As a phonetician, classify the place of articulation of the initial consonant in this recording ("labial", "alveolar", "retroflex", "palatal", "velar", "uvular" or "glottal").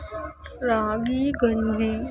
alveolar